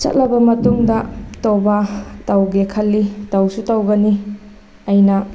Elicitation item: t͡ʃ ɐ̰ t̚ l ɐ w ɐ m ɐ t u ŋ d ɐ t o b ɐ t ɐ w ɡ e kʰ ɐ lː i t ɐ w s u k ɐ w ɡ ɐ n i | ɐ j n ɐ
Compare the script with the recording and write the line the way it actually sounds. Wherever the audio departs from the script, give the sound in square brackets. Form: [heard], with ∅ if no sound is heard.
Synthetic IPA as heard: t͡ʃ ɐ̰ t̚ l ɐ [b] ɐ m ɐ t u ŋ d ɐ t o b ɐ t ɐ w ɡ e kʰ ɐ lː i t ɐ w s u [t] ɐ w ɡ ɐ n i | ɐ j n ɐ

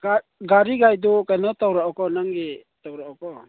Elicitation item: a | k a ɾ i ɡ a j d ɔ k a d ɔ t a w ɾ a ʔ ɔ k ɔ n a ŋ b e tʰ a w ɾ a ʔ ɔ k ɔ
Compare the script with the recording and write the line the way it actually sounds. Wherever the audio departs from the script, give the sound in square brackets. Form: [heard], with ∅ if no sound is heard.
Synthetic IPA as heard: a | [ɡ] a ɾ i ɡ a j d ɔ k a [n] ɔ t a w ɾ a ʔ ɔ k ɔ n a ŋ [ɡ] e [t] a w ɾ a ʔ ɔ k ɔ

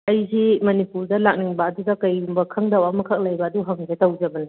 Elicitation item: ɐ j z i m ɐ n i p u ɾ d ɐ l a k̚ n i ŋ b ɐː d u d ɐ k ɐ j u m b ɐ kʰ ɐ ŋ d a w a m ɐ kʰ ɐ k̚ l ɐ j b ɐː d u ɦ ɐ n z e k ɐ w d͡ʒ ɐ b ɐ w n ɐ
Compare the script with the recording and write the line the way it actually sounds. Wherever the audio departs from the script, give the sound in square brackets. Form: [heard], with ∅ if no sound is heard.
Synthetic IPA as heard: ɐ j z i m ɐ n i p u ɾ d ɐ l a k̚ n i ŋ b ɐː d u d ɐ k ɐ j u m b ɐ kʰ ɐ ŋ d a w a m ɐ kʰ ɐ k̚ l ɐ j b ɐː d u ɦ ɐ [ŋ] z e [t] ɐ w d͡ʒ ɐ b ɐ [∅] n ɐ

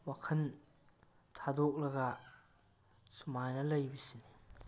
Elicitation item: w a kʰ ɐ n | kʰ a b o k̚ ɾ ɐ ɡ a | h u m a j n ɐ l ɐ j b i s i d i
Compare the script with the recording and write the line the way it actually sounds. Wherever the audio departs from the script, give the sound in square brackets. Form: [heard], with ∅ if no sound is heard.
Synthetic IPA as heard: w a kʰ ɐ n | [tʰ] a [d] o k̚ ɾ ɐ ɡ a | [s] u m a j n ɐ l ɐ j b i s i [n] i

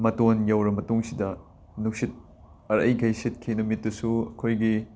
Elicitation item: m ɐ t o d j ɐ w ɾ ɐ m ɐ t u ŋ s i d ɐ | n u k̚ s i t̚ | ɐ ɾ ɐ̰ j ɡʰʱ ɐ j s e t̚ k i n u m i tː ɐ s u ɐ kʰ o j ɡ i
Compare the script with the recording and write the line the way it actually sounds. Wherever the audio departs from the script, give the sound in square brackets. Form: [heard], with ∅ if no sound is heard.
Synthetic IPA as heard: m ɐ t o [n] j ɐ w ɾ ɐ m ɐ t u ŋ s i d ɐ | n u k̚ s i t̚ | ɐ ɾ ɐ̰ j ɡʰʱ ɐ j s e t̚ [kʰ] i n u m i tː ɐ s u ɐ kʰ o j ɡ i

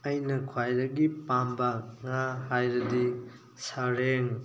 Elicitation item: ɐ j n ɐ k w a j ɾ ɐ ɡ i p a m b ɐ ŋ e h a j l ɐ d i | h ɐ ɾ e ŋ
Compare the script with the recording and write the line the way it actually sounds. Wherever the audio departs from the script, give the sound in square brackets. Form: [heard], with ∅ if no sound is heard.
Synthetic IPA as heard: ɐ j n ɐ [kʰ] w a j ɾ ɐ ɡ i p a m b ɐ ŋ [a] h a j [ɾ] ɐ d i | [s] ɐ ɾ e ŋ

